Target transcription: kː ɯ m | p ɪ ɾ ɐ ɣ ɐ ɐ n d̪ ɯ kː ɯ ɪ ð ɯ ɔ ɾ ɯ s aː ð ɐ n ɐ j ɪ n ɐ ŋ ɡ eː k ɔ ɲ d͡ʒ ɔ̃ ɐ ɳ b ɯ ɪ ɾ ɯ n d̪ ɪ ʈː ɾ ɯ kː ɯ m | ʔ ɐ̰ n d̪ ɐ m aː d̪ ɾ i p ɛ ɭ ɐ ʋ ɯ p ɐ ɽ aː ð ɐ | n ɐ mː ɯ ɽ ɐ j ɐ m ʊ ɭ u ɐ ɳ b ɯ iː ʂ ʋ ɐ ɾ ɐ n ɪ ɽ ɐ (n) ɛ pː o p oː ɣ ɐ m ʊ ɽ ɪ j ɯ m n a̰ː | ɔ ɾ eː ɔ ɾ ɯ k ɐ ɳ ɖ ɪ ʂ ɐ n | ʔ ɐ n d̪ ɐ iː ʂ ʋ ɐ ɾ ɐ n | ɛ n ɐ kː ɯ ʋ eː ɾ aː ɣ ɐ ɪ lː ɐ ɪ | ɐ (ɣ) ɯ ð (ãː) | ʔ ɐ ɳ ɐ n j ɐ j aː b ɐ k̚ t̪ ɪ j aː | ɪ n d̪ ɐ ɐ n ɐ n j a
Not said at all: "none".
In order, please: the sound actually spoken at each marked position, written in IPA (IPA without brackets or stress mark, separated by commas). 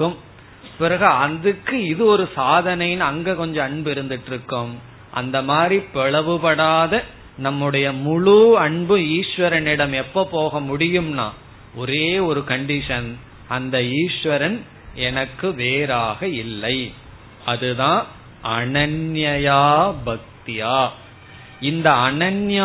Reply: m, ð, ãː